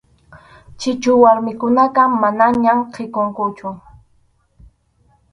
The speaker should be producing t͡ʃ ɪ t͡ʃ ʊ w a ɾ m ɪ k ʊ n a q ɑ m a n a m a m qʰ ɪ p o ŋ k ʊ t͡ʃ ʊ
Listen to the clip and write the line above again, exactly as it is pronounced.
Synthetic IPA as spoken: t͡ʃ ɪ t͡ʃ ʊ w a ɾ m ɪ k ʊ n a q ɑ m a n a ɲ a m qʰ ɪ k o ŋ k ʊ t͡ʃ ʊ